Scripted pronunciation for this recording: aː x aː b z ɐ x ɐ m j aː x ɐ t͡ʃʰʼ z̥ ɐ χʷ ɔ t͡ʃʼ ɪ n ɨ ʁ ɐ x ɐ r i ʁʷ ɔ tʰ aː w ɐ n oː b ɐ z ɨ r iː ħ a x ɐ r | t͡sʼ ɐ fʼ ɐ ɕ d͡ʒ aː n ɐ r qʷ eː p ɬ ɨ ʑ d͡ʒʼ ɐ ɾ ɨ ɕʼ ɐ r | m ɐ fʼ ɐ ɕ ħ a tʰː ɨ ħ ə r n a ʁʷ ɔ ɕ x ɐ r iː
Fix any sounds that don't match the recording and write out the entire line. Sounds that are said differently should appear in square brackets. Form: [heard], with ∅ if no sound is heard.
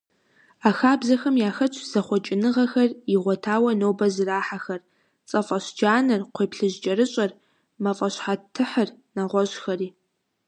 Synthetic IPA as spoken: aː x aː b z ɐ x ɐ m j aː x ɐ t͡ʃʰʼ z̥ ɐ χʷ ɔ t͡ʃʼ ɪ n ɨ ʁ ɐ x ɐ r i ʁʷ ɔ tʰ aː w ɐ n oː b ɐ z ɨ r [aː] ħ a x ɐ r | t͡sʼ ɐ fʼ ɐ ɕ d͡ʒ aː n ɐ r qʷ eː p ɬ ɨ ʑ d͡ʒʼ ɐ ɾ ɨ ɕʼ ɐ r | m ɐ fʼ ɐ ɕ ħ a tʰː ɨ ħ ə r n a ʁʷ ɔ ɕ x ɐ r iː